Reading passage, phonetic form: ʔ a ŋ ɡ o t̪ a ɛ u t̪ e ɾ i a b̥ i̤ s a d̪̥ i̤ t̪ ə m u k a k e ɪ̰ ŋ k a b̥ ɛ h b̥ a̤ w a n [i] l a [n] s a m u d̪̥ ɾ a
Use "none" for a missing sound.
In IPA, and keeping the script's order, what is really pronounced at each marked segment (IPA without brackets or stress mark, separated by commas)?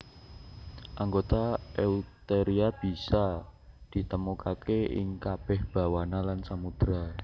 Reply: a, n